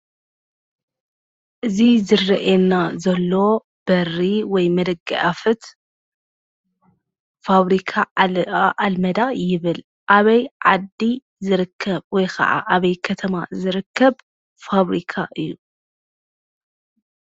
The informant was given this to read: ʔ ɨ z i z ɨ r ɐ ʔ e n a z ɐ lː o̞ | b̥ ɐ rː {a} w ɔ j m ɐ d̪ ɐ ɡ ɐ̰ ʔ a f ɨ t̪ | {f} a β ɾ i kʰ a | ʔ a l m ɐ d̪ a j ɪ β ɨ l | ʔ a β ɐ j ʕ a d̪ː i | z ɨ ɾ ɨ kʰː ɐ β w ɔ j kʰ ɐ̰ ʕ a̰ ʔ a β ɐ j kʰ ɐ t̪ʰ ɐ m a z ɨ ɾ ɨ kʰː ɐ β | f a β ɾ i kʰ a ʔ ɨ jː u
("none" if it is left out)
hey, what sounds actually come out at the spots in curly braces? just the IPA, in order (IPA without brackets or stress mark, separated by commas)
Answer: i, f